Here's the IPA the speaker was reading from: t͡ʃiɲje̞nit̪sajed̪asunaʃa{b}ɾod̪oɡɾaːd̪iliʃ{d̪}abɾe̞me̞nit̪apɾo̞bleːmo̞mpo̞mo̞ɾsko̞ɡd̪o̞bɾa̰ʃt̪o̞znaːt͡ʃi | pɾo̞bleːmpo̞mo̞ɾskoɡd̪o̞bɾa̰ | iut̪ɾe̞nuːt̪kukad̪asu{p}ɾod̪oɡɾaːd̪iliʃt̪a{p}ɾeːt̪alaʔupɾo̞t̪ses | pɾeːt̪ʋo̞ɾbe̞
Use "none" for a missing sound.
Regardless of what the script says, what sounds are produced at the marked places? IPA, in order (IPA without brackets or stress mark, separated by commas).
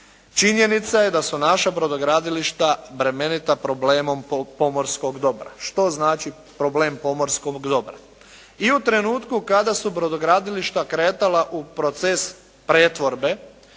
b, t̪, b, k